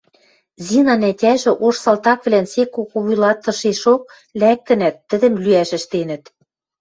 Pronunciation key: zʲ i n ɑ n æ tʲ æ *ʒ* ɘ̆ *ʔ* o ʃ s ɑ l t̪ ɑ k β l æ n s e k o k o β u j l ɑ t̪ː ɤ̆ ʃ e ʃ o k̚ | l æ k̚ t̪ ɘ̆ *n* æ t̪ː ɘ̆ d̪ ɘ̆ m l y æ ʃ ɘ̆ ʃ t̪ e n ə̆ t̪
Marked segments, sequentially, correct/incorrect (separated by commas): correct, correct, correct